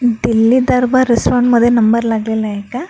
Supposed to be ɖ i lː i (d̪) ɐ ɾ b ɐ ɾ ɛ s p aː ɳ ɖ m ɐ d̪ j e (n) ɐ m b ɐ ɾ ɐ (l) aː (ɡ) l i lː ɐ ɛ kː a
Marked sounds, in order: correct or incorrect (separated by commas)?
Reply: correct, correct, correct, correct